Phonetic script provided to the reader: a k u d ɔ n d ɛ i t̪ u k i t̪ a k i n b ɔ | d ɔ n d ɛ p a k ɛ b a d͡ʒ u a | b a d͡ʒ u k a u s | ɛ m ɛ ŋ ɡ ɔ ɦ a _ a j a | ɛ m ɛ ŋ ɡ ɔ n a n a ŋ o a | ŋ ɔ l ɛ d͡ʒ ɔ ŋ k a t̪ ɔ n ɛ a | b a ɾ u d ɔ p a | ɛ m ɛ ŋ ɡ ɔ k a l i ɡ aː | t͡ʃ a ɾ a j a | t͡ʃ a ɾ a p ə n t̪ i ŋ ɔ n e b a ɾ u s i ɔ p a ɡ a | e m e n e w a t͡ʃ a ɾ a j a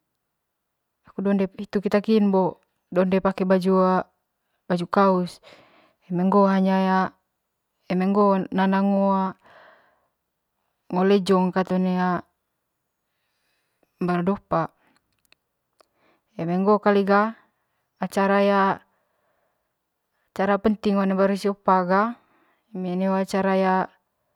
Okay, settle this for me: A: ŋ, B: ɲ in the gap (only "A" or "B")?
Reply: B